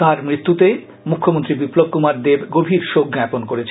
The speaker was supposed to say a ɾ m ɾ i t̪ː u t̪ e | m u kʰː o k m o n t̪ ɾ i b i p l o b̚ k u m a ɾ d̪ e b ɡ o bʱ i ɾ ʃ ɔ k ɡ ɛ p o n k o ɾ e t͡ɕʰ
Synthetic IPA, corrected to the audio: a ɾ m ɾ i t̪ː u t̪ e | m u kʰː o m o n t̪ ɾ i b i p l o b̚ k u m a ɾ d̪ e b ɡ o bʱ i ɾ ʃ o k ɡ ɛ p o n k o ɾ e t͡ɕʰ